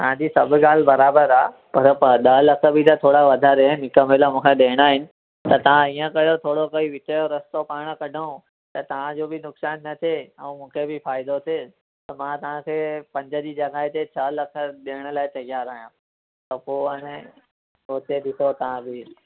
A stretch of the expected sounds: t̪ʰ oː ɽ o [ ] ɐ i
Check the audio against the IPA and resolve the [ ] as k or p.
k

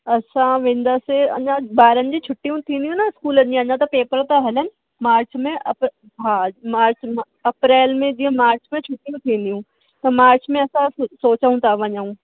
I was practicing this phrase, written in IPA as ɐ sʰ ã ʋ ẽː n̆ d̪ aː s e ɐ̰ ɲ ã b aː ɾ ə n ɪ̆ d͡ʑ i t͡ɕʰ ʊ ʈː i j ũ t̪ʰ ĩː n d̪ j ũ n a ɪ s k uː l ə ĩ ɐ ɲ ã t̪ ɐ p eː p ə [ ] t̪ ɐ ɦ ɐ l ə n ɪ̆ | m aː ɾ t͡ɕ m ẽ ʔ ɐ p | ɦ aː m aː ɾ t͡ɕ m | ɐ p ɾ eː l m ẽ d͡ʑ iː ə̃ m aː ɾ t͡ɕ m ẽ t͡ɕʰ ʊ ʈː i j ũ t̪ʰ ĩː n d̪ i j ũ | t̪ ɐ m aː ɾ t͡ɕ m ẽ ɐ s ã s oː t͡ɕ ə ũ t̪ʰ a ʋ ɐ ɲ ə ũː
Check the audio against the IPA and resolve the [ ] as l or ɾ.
ɾ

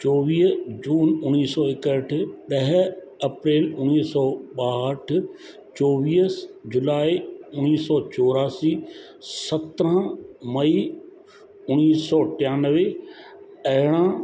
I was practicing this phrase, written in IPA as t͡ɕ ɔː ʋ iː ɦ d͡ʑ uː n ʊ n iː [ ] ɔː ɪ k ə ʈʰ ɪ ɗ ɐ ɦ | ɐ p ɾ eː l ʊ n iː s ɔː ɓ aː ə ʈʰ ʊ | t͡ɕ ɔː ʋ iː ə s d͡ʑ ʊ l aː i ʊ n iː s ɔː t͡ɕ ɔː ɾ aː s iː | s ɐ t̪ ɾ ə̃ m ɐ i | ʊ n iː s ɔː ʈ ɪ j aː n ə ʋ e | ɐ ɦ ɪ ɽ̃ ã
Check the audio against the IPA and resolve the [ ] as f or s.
s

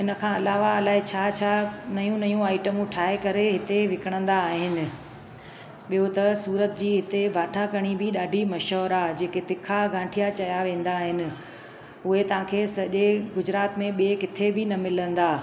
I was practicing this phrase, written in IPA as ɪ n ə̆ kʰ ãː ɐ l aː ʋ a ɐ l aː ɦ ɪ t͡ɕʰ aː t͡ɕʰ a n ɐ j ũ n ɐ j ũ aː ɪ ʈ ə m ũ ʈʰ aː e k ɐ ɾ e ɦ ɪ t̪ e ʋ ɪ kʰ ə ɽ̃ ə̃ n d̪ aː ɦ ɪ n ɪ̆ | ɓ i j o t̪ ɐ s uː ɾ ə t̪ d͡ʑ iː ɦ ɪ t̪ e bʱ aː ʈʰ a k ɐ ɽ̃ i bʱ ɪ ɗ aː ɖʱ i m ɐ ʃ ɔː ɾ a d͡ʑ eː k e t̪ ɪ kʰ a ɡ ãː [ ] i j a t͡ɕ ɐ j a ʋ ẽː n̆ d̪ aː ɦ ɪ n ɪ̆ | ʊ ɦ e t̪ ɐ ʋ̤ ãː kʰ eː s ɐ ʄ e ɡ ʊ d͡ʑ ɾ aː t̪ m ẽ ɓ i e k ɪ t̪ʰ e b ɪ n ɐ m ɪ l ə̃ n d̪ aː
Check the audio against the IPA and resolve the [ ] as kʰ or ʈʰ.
ʈʰ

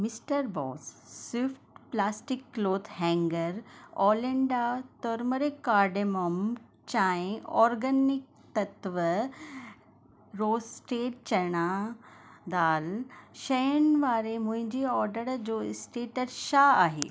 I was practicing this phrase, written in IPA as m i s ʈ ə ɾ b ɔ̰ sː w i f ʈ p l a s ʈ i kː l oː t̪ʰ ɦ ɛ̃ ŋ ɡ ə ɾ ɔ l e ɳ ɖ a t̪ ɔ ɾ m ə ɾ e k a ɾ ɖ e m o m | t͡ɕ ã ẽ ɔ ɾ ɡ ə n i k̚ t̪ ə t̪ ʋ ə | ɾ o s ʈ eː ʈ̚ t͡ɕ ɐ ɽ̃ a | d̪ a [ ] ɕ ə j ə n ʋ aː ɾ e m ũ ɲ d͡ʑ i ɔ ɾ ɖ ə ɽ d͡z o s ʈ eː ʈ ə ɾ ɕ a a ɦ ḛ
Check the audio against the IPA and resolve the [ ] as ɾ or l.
l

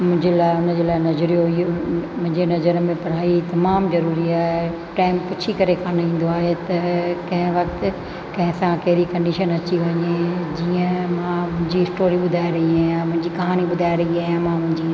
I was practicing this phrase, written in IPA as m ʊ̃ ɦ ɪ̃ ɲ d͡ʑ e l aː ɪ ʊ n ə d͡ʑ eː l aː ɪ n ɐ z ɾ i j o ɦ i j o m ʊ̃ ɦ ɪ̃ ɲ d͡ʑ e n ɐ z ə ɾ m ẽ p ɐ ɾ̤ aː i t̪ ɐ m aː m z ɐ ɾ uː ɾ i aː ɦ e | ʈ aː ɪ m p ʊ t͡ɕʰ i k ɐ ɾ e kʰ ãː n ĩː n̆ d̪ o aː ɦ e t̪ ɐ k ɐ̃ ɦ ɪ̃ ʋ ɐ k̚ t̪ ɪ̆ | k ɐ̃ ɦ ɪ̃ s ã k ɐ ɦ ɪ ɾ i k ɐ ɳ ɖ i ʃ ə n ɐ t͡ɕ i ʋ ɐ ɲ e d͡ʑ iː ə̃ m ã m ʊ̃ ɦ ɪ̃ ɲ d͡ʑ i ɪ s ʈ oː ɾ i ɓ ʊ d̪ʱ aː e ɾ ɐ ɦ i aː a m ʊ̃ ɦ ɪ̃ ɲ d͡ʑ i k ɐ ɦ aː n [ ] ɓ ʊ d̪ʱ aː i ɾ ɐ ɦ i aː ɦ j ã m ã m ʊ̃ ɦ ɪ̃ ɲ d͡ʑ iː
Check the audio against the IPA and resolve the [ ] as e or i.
i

